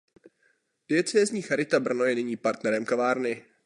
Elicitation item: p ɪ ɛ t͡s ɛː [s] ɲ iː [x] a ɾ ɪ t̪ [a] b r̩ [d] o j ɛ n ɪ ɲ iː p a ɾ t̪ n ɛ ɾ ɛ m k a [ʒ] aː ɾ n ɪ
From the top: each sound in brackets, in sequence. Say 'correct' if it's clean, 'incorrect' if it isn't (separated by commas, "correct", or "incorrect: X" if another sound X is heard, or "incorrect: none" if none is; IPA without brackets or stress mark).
incorrect: z, correct, correct, incorrect: n, incorrect: v